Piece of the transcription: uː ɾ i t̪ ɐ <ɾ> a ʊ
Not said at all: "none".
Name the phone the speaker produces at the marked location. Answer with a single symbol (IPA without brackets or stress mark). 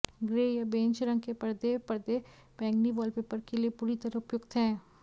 ɾ